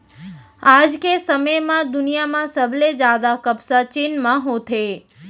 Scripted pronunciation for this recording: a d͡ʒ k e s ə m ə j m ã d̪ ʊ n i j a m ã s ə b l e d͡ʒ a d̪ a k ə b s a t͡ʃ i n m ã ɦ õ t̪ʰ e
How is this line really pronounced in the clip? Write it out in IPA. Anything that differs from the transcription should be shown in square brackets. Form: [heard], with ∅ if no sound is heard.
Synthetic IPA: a d͡ʒ k e s ə m ə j m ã d̪ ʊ n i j a m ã s ə b l e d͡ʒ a d̪ a k ə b s a t͡ʃ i n m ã ɦ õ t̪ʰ e